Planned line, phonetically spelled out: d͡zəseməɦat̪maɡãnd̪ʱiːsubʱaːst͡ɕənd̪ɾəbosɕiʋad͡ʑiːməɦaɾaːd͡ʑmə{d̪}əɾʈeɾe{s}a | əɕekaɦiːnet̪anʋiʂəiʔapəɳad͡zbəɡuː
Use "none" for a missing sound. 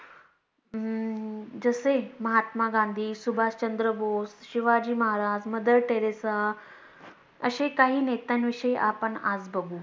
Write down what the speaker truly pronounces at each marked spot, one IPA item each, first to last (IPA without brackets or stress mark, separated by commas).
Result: d̪, s